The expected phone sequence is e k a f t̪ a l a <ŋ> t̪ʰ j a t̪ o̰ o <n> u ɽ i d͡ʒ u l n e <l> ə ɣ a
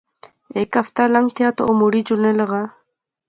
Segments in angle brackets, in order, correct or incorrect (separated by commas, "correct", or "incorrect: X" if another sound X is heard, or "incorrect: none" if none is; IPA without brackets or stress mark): correct, incorrect: m, correct